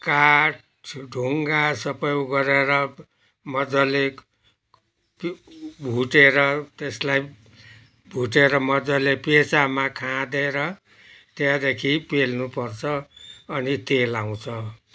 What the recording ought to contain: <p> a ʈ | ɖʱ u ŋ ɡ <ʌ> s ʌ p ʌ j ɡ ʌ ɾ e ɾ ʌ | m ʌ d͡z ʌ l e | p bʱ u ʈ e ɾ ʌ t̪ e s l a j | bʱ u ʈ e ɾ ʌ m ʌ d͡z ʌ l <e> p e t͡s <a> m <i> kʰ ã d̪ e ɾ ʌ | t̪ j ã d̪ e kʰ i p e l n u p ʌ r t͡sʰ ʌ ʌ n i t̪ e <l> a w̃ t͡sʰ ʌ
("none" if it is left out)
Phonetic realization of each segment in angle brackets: k, a, e, a, a, l

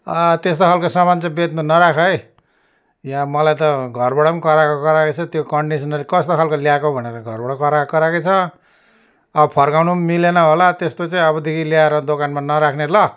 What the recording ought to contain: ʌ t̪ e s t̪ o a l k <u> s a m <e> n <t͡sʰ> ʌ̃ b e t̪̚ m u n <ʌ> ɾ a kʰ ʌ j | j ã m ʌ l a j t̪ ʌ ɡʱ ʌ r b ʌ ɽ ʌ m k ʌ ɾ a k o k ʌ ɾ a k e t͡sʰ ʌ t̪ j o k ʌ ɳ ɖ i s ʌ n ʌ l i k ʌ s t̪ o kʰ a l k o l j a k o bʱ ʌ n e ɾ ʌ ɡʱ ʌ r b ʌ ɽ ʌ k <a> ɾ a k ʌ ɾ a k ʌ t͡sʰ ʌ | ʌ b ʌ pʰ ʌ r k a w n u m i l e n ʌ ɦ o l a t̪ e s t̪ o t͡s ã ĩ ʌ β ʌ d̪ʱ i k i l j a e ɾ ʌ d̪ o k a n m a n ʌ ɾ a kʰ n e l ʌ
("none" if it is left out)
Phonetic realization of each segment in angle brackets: o, a, t͡s, ʌ, ʌ

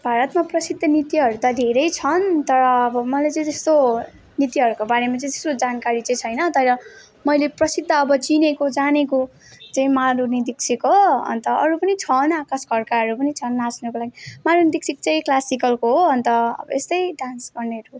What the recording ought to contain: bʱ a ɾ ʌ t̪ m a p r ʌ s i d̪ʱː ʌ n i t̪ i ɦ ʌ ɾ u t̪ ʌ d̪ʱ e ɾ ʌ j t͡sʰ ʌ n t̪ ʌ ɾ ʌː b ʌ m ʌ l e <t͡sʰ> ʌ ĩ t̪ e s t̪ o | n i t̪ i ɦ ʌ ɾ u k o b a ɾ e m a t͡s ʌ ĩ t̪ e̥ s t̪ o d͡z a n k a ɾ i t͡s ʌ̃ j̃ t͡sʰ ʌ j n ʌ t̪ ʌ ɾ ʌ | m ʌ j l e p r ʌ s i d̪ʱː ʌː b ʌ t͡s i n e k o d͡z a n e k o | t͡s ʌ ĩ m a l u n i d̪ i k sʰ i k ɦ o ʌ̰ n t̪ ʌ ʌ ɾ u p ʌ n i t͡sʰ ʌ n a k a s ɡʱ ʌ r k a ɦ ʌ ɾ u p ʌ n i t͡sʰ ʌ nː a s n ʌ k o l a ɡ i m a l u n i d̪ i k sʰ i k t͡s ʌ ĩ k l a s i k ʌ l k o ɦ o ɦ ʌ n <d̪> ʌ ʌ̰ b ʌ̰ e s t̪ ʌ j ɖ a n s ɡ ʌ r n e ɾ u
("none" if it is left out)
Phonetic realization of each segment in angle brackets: t͡s, t̪

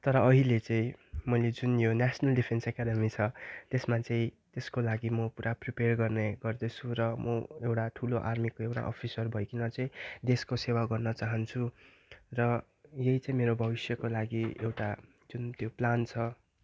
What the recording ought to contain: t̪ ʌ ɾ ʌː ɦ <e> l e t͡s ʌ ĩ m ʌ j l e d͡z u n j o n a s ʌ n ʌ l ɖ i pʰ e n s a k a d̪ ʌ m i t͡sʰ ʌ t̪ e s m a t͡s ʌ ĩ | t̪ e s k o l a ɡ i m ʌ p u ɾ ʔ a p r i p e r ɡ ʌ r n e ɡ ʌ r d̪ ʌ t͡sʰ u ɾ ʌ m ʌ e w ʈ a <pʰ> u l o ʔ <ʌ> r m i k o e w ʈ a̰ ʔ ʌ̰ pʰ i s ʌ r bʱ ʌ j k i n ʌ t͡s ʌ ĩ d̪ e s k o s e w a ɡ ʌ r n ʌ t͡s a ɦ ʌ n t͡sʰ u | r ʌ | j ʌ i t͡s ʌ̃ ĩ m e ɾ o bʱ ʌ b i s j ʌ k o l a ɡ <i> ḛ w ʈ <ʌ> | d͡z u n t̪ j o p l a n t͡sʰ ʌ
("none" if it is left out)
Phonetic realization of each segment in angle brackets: i, ʈʰ, a, i, a

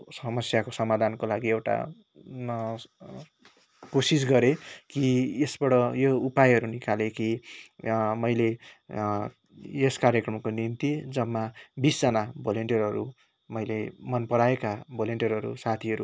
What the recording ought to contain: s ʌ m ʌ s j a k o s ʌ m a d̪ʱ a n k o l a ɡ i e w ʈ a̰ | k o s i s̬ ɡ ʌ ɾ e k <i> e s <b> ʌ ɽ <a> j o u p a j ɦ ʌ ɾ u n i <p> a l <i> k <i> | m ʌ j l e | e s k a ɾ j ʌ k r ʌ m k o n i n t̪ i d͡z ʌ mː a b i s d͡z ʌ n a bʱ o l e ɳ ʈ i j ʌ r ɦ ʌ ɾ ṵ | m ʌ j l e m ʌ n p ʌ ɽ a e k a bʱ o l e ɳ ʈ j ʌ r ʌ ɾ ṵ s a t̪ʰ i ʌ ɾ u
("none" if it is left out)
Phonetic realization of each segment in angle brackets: i, b, ʌ, k, e, i

